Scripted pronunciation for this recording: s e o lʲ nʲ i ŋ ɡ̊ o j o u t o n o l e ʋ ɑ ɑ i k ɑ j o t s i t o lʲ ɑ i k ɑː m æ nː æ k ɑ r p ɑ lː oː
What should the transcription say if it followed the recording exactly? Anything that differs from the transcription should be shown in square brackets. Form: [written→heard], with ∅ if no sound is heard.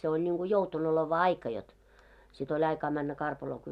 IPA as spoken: s e o lʲ nʲ i ŋ ɡ̊ [o→u] j o u t o n o l e ʋ ɑ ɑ i k ɑ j o t s i t o lʲ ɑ i k ɑː m æ nː æ k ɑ r p ɑ [lː→l] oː